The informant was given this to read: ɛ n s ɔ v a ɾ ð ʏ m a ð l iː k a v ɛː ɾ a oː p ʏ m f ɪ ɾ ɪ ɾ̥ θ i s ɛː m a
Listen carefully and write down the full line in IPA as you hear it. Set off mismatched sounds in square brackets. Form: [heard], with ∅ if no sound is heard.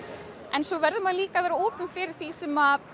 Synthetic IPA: ɛ n s ɔ v [ɛ] ɾ ð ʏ m a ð l iː k a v ɛː ɾ a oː p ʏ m f ɪ ɾ ɪ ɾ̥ θ i s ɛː m a